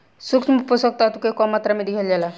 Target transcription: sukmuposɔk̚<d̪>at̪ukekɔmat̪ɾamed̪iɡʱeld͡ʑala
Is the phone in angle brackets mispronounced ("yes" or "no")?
yes